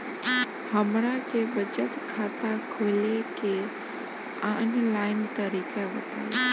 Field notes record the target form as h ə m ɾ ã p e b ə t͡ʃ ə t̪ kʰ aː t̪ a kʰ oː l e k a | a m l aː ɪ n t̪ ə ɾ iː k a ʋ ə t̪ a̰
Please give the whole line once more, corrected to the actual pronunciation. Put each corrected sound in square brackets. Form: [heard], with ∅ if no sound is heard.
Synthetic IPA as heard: h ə m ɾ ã [k] e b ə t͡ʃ ə t̪ kʰ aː t̪ a kʰ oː l e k [e] | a [n] l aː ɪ n t̪ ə ɾ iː k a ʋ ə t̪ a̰